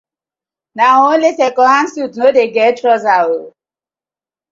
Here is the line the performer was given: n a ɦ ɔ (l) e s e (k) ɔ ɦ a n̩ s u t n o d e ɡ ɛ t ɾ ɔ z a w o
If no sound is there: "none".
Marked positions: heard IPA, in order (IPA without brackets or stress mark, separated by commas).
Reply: l, k